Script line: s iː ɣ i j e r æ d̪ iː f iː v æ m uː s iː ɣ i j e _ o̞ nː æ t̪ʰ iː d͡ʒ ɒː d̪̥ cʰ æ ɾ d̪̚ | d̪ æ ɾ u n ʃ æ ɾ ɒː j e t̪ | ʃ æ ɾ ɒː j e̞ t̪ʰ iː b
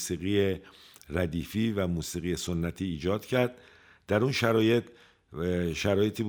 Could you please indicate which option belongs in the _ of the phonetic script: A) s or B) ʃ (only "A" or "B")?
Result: A